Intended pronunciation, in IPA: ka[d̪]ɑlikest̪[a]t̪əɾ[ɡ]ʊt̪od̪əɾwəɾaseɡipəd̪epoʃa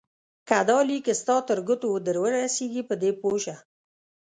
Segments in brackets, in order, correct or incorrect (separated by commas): correct, incorrect, correct